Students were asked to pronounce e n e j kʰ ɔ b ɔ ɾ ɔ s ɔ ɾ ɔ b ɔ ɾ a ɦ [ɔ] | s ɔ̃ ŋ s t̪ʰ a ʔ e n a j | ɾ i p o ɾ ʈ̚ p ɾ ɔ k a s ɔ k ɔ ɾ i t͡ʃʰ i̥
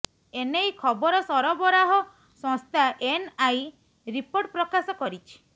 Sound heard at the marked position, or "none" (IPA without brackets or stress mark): ɔ